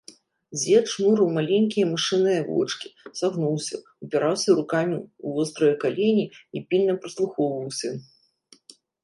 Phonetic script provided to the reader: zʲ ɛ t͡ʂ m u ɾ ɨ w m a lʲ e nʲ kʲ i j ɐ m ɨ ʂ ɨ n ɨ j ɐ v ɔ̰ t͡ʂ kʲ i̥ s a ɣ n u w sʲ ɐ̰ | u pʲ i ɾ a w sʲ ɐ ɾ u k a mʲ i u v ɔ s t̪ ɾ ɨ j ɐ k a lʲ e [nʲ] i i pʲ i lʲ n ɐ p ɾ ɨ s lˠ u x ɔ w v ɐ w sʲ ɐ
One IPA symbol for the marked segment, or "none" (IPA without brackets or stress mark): nʲ